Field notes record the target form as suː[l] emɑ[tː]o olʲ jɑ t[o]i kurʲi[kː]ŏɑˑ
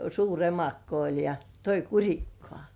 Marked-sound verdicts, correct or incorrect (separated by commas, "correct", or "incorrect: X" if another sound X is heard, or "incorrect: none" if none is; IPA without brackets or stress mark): incorrect: r, incorrect: kː, correct, correct